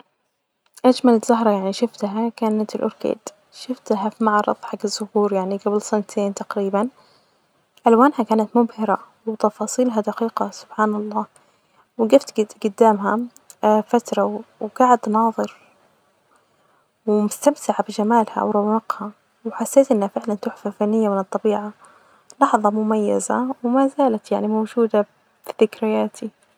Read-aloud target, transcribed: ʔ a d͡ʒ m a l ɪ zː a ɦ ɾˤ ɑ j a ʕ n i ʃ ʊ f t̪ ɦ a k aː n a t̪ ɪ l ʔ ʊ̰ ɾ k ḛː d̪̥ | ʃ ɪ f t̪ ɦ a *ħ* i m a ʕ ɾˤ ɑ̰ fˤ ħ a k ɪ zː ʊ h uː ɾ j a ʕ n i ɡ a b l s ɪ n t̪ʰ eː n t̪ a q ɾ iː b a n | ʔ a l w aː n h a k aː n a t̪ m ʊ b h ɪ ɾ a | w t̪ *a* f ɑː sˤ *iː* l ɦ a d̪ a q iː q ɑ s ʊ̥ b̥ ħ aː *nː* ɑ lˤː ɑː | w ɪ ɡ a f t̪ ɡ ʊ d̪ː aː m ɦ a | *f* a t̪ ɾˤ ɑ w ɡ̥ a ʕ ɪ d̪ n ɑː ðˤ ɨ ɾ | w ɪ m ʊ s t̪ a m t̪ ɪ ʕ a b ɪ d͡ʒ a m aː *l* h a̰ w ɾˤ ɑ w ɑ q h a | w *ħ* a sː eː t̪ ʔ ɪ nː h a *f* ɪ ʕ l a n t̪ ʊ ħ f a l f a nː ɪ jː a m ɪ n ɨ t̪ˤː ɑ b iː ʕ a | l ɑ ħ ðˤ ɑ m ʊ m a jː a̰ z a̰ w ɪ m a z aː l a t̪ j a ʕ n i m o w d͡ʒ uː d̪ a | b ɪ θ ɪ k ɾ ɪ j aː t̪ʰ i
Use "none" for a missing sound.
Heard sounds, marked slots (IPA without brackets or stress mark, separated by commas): f, ɑ, iː, n, f, l, ħ, f